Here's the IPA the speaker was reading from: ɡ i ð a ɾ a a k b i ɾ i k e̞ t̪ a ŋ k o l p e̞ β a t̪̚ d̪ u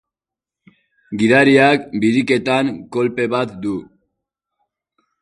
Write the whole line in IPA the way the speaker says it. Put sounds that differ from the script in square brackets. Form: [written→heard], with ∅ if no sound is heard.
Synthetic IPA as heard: ɡ i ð a ɾ [a→i] a k b i ɾ i k e̞ t̪ a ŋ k o l p e̞ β a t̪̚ d̪ u